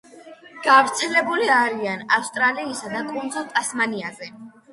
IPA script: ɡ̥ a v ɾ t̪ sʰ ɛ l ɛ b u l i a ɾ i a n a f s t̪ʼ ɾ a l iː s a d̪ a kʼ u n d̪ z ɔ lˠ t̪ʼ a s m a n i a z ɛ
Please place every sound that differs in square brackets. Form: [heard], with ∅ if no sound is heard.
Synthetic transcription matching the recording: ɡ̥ a v ɾ t̪ sʰ ɛ l ɛ b u l i a ɾ i a n a f s t̪ʼ ɾ a l iː s a d̪ a kʼ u n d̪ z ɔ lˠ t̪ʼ a s m a n i a z ɛ